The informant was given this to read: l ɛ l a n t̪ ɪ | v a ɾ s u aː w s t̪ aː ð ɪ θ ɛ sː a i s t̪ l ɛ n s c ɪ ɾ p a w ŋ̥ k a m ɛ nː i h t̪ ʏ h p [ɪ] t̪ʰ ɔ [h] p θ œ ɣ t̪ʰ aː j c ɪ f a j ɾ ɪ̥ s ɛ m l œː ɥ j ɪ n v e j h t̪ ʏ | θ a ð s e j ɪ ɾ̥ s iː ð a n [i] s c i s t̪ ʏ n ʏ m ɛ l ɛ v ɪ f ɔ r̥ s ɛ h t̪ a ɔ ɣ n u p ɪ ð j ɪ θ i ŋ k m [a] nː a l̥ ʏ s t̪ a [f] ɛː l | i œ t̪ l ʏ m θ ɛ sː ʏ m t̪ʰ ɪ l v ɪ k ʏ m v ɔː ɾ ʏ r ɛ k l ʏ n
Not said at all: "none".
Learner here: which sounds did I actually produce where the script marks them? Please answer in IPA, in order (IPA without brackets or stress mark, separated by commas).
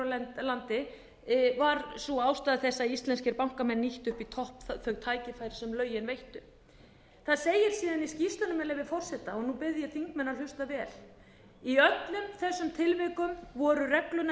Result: i, h, i, ɛ, v